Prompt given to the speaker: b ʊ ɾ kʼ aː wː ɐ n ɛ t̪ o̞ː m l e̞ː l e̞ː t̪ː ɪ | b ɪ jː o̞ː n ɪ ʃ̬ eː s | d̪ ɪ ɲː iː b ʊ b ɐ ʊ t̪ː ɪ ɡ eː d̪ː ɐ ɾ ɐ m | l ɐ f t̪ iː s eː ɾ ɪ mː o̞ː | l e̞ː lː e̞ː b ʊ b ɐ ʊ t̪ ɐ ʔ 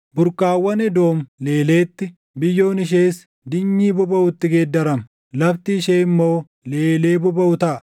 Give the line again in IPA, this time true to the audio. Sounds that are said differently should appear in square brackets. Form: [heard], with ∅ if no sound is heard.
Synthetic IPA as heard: b ʊ ɾ kʼ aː wː ɐ n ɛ [d̪] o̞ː m l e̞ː l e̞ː t̪ː ɪ | b ɪ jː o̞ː n ɪ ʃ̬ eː s | d̪ ɪ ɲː iː b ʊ b ɐ ʊ t̪ː ɪ ɡ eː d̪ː ɐ ɾ ɐ m | l ɐ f t̪ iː [ʃ] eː [∅] ɪ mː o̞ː | l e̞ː [l] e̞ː b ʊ b ɐ ʊ t̪ ɐ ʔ